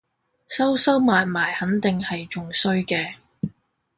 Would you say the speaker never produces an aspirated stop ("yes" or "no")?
yes